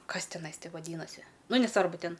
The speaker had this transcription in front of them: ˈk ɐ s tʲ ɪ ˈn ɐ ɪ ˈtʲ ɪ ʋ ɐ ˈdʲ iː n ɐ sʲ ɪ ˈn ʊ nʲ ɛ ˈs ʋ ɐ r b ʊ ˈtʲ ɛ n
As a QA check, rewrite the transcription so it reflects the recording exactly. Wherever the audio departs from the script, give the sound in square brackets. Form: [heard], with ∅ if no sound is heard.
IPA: ˈk ɐ s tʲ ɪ ˈn ɐ ɪ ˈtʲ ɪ ʋ ɐ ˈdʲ iː n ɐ sʲ ɪ ˈn ʊ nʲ ɛ ˈs ʋ ɐ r b ʊ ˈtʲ ɛ n